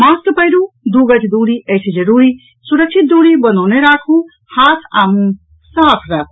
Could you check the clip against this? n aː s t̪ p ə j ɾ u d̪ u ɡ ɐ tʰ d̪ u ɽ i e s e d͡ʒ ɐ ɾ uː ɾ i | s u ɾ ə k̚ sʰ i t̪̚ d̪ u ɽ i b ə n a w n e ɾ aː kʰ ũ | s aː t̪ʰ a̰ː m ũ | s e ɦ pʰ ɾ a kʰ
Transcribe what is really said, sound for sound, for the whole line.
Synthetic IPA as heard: m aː s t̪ p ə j ɾ u d̪ u ɡ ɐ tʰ d̪ u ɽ i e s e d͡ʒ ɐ ɾ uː ɾ i | s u ɾ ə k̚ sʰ i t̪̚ d̪ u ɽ i b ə n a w n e ɾ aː kʰ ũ | h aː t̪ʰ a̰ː m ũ | s a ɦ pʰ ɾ a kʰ